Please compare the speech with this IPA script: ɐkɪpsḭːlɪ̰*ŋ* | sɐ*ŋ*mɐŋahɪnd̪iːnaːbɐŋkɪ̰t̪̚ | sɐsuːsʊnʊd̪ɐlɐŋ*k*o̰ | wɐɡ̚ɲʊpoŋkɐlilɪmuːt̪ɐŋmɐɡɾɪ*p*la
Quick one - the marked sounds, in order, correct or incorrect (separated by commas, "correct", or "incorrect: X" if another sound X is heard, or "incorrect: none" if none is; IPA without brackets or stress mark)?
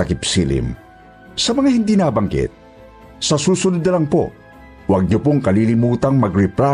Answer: incorrect: m, incorrect: none, incorrect: p, correct